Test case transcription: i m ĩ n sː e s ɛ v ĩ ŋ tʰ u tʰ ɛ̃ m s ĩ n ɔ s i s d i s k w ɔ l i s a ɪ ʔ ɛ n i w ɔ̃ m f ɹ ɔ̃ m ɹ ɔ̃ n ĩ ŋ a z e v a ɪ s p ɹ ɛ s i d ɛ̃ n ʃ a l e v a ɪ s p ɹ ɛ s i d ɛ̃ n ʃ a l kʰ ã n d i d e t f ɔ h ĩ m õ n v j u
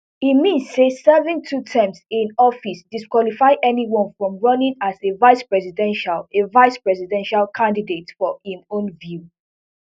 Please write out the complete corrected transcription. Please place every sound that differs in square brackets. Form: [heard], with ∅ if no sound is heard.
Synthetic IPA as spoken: i m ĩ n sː e s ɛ v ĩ ŋ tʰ u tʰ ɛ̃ m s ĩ n ɔ [f] i s d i s k w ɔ l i [f] a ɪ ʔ ɛ n i w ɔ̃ [n] f ɹ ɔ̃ m ɹ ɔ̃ n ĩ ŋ a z e v a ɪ s p ɹ ɛ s i d ɛ̃ n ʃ a l e v a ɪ s p ɹ ɛ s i d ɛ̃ n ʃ a l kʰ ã n d i d e t f ɔ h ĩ m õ n v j u